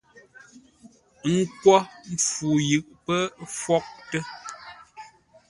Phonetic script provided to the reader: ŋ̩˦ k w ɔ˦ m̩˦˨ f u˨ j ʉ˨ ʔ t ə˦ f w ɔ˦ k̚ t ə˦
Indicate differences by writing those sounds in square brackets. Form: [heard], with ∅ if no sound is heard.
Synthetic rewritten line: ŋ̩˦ k w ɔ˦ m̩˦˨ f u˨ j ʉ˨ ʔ [p] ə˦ f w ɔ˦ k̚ t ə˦